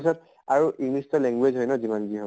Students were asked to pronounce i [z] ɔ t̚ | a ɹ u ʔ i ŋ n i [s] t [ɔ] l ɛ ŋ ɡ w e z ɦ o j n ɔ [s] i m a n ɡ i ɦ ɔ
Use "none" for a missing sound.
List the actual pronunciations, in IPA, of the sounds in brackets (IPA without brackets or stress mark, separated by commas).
s, s, ɔ, z